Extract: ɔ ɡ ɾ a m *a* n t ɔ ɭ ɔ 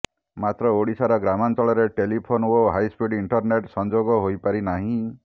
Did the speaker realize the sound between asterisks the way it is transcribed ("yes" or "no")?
yes